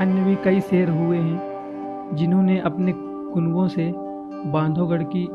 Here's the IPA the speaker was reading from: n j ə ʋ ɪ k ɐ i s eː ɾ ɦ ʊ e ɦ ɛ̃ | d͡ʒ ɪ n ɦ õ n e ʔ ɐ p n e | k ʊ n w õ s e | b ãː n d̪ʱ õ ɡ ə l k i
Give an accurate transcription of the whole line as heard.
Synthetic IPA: n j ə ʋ i k ɐ i s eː ɾ ɦ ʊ e ɦ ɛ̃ | d͡ʒ ɪ n ɦ õ n e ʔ ɐ p n e | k ʊ n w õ s e | b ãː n d̪ʱ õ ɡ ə ɽ k i